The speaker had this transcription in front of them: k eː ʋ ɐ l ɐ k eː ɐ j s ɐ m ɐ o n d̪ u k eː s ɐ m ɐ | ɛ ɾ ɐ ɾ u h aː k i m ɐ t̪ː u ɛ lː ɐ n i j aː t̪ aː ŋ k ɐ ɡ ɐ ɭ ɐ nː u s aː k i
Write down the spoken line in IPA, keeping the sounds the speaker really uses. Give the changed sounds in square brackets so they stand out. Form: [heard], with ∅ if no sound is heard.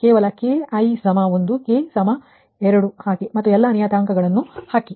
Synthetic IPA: k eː ʋ ɐ l ɐ k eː ɐ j s ɐ m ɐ o n d̪ u k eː s ɐ m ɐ | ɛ ɾ ɐ [ɽ] u h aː k i m ɐ t̪ː u ɛ lː ɐ n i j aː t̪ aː ŋ k ɐ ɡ ɐ ɭ ɐ nː u [h] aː k i